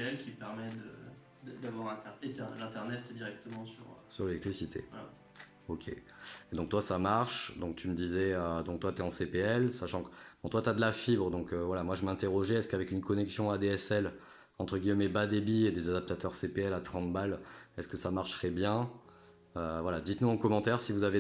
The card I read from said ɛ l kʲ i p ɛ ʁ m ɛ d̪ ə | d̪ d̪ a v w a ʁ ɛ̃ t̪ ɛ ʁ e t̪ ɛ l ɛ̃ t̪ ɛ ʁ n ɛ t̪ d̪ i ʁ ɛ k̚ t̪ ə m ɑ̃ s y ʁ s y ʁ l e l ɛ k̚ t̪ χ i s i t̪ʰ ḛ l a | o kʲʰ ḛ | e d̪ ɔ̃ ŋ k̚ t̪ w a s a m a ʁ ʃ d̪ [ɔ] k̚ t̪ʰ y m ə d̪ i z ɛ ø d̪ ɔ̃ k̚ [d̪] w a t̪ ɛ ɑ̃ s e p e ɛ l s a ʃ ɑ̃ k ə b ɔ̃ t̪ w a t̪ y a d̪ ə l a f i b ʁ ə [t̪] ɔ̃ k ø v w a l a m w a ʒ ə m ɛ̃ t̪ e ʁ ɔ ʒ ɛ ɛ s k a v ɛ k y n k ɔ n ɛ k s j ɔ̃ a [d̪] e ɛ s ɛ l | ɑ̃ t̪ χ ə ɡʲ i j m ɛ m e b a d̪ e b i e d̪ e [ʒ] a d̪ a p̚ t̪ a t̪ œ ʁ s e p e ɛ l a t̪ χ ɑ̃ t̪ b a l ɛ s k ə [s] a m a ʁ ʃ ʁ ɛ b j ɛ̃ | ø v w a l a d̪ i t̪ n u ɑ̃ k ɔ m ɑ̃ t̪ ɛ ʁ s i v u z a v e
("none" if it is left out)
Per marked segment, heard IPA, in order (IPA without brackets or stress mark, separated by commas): ɔ̃, t̪, d̪, d̪, z, s